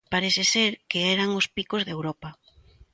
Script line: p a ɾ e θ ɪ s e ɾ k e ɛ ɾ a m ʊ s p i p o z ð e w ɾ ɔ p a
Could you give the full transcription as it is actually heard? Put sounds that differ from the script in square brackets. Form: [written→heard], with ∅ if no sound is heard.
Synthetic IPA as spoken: p a ɾ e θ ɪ s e ɾ k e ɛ ɾ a [m→ŋ] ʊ s p i [p→k] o z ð e w ɾ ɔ p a

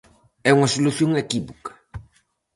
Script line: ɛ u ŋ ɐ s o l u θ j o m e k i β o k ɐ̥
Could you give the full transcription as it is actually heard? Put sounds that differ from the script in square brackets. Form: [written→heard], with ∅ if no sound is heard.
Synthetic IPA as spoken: ɛ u ŋ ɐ s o l u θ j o [m→ŋ] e k i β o k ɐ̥

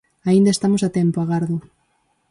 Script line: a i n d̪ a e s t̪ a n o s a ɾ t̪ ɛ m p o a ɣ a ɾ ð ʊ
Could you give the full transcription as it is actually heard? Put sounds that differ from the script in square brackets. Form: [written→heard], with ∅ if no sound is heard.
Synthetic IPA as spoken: a i n d̪ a e s t̪ a [n→m] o s a [ɾ→∅] t̪ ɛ m p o a ɣ a ɾ ð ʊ

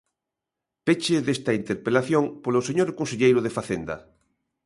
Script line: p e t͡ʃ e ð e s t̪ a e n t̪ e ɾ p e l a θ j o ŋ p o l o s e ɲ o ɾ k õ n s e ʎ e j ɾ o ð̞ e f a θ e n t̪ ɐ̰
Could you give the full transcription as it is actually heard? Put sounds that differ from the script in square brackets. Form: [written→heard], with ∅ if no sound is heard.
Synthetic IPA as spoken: p e t͡ʃ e ð e s t̪ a [e→i] n t̪ e ɾ p e l a θ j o ŋ p o l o s e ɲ o ɾ k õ n s e ʎ e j ɾ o ð̞ e f a θ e n [t̪→d̪] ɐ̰

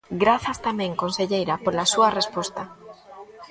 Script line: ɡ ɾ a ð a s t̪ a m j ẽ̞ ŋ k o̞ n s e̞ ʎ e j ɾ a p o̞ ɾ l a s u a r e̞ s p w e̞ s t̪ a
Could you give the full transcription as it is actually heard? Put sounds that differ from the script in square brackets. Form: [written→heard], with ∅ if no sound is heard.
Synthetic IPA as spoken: ɡ ɾ a [ð→θ] a s t̪ a m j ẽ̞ ŋ k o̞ n s e̞ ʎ e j ɾ a p o̞ ɾ l a s u a r e̞ s p w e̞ s t̪ a

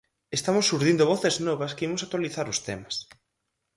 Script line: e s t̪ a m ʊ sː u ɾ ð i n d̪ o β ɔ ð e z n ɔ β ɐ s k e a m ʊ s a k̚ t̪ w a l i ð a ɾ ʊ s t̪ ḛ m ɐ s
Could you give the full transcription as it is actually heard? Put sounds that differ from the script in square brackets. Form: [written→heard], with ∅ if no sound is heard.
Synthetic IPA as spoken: e s t̪ a m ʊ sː u ɾ ð i n d̪ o β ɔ [ð→θ] e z n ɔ β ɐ s k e [a→i] m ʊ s a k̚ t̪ w a l i [ð→θ] a ɾ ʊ s t̪ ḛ m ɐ s

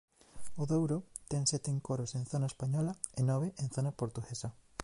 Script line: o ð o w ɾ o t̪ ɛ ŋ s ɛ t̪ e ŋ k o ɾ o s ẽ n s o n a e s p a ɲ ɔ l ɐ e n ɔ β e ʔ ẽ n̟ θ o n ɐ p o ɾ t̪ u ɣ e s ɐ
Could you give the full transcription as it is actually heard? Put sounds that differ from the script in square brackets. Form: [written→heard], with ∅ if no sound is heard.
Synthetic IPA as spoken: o ð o w ɾ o t̪ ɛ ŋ s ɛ t̪ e ŋ k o ɾ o s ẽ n [s→θ] o n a e s p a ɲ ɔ l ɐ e n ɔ β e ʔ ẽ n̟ θ o n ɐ p o ɾ t̪ u ɣ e s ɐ

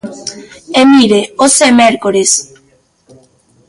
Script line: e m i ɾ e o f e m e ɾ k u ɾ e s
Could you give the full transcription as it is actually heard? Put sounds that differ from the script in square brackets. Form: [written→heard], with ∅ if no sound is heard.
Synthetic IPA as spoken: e m i ɾ e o [f→s] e m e ɾ k [u→o] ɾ e s

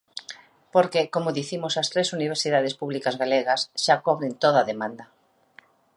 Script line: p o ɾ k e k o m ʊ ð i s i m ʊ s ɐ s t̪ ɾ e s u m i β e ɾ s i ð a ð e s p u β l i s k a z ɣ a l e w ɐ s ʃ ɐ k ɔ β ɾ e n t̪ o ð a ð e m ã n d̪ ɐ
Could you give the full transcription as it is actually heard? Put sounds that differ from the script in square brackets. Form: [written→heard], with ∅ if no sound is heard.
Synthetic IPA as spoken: p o ɾ k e k o m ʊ ð i [s→θ] i m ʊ s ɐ s t̪ ɾ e s u [m→n] i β e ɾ s i ð a ð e s p u β l i [s→∅] k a z ɣ a l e [w→ɣ] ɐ s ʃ [ɐ→a] k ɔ β ɾ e n t̪ o ð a ð e m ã n d̪ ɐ

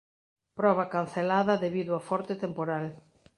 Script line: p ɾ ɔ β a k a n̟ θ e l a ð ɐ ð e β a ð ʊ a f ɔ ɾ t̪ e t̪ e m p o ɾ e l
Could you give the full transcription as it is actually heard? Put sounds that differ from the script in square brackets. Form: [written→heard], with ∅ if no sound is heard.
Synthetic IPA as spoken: p ɾ ɔ β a k a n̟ θ e l a ð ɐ ð e β [a→i] ð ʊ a f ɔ ɾ t̪ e t̪ e m p o ɾ [e→a] l

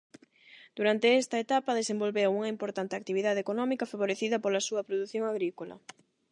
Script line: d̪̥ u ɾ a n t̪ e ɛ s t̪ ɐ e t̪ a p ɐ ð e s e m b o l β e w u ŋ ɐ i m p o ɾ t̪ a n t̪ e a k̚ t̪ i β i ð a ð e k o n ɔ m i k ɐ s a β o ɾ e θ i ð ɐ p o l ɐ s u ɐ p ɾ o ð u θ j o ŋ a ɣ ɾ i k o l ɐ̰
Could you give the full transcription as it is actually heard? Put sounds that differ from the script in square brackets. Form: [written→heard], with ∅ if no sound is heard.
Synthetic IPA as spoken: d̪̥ u ɾ a n t̪ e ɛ s t̪ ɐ e t̪ a p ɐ ð e s e m b o l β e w u ŋ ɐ i m p o ɾ t̪ a n t̪ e a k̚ t̪ i β i ð a ð e k o n ɔ m i k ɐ [s→f] a β o ɾ e θ i ð ɐ p o l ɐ s u ɐ p ɾ o ð u θ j o ŋ a ɣ ɾ i k o l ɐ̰

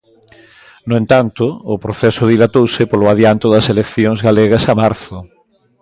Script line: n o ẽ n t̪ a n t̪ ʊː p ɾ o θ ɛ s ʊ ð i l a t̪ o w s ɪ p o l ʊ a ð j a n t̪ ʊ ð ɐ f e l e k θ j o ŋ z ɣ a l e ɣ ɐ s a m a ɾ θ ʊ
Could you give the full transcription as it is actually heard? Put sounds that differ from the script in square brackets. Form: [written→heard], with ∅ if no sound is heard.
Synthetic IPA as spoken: n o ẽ n t̪ a n t̪ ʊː p ɾ o θ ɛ s ʊ ð i l a t̪ o w s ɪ p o l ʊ a ð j a n t̪ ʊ ð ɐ [f→s] e l e k θ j o ŋ z ɣ a l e ɣ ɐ s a m a ɾ θ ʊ

